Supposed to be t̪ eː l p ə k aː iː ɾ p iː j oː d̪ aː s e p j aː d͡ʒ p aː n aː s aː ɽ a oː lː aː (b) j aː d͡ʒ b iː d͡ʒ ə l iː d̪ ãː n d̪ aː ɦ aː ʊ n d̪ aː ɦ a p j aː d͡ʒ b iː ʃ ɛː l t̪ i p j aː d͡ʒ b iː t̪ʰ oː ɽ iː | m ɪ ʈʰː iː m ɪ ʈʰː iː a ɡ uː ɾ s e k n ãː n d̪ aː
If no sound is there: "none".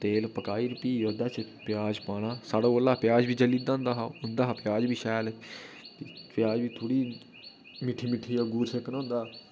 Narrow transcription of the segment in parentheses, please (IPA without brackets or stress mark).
p